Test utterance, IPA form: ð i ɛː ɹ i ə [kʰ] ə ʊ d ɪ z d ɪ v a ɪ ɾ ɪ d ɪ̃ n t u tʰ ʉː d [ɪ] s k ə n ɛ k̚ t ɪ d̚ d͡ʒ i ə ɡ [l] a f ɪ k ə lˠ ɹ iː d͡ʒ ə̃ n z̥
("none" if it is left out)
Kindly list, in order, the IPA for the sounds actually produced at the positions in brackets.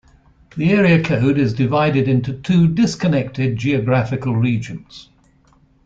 kʰ, ɪ, ɹ

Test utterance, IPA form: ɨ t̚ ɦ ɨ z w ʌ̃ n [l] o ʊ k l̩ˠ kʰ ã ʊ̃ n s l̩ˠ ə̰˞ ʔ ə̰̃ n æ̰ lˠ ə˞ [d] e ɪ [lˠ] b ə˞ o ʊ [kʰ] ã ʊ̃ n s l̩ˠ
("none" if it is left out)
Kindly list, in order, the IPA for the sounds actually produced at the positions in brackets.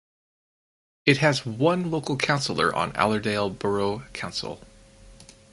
l, d, lˠ, kʰ

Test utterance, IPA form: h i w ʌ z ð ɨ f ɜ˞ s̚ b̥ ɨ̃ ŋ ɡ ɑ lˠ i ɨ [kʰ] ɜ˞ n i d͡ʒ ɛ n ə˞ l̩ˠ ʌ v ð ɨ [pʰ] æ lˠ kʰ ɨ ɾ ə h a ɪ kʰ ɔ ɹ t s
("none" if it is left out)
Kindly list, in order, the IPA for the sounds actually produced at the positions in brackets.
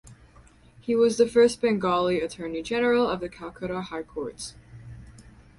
tʰ, kʰ

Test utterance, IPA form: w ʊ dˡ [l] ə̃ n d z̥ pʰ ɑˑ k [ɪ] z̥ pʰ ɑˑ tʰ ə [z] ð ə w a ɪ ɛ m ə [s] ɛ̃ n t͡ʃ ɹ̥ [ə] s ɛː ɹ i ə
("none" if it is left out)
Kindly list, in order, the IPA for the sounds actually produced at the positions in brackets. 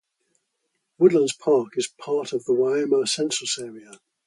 l, ɪ, v, s, ə

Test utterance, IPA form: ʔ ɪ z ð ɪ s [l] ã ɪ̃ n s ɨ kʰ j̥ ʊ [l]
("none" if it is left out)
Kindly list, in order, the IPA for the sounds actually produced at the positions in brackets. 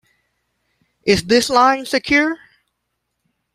l, ɹ

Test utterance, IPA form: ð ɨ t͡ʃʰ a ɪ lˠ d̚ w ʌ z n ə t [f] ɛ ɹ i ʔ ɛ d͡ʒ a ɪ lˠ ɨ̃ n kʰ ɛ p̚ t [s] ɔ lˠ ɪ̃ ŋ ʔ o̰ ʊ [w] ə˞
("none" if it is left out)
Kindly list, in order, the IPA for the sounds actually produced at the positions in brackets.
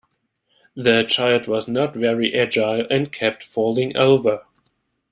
v, f, v

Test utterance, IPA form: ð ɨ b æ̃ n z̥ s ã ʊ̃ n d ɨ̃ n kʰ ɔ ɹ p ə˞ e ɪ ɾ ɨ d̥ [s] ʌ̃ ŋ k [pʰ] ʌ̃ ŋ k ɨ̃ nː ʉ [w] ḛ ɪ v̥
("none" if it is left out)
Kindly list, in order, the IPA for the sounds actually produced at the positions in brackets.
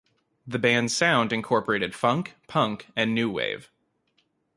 f, pʰ, w

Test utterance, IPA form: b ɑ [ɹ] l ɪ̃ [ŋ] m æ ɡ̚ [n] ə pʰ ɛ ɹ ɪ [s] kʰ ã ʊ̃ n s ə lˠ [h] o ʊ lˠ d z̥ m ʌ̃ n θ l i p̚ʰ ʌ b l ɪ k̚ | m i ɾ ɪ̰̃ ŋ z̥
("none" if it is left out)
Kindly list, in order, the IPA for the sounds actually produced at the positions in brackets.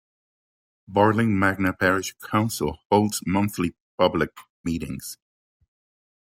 ɹ, ŋ, n, ʃ, h

